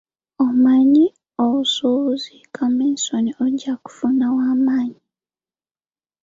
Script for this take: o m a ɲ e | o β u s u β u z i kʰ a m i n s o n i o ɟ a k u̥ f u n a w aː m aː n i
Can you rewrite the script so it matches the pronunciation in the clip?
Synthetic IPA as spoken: o m a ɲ i | o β u s u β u z i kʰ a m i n s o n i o ɟ a k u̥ f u n a w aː m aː ɲ i